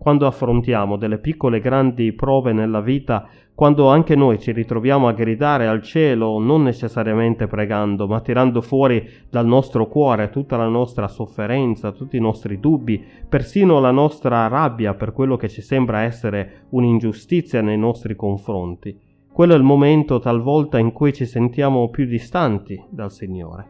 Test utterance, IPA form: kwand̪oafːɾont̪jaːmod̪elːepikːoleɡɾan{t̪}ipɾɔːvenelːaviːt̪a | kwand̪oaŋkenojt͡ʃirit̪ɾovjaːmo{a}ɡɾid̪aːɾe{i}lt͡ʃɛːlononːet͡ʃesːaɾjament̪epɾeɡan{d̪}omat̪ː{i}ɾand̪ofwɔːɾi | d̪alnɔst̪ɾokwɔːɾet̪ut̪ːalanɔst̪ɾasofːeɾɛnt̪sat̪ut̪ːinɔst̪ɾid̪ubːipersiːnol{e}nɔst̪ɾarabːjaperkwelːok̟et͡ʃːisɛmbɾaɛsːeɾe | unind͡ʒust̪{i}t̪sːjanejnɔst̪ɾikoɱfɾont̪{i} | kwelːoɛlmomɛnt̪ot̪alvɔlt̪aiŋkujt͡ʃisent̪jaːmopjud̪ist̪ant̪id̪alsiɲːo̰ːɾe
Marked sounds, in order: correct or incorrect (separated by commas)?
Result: incorrect, correct, incorrect, correct, correct, incorrect, correct, correct